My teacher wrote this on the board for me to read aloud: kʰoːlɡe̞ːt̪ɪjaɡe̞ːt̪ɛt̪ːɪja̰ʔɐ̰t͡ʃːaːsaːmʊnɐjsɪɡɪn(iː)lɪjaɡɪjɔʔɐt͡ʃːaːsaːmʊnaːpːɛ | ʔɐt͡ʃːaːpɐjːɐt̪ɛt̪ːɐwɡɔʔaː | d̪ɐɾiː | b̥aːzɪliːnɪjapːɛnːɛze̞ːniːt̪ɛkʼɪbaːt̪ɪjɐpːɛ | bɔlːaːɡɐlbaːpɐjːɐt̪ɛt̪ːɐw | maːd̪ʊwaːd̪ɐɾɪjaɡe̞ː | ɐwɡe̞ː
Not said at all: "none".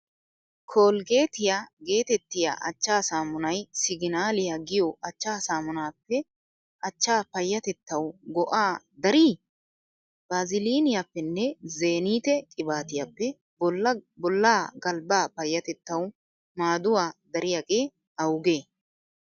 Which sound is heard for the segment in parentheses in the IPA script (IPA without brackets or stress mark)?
aː